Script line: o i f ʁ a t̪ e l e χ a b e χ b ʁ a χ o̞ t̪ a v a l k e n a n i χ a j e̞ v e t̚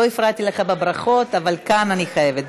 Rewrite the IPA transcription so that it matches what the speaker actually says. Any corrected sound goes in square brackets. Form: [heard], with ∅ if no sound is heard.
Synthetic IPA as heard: o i f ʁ a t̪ [i] l e χ a b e [∅] b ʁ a χ o̞ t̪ a v a l k [a] n a n i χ a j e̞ v e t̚